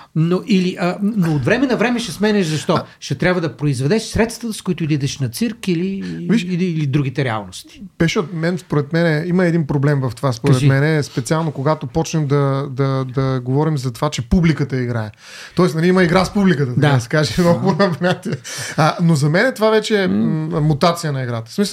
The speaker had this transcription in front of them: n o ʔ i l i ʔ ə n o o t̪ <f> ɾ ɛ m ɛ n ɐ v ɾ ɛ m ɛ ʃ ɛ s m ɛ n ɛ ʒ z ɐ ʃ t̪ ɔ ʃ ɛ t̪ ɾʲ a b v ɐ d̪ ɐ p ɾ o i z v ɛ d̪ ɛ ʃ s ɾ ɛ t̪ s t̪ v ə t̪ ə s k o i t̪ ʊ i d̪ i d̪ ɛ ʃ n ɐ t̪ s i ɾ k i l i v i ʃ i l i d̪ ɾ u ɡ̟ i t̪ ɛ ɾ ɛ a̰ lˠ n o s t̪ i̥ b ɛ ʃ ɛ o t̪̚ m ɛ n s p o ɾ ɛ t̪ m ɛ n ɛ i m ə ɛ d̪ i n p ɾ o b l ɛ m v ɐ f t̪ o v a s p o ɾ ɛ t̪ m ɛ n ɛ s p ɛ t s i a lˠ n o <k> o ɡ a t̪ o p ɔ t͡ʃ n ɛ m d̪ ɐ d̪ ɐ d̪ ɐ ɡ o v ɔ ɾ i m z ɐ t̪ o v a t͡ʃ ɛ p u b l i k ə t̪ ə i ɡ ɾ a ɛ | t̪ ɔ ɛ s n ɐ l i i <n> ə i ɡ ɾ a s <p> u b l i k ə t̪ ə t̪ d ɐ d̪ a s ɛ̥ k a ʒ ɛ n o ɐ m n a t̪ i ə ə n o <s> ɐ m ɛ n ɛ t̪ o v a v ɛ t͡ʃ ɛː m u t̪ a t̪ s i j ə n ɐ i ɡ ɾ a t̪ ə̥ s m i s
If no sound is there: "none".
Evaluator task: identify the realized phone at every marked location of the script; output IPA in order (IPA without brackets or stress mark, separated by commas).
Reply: v, k, m, p, z